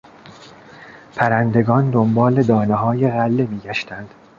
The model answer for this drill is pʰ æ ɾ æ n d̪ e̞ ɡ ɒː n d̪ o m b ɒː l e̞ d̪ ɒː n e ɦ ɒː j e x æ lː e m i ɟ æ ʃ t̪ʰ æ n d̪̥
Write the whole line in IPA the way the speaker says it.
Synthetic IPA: pʰ æ ɾ æ n d̪ e̞ ɡ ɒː n d̪ o m b ɒː l e̞ d̪ ɒː n e ɦ ɒː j e ɣ æ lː e m iː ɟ æ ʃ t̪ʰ æ n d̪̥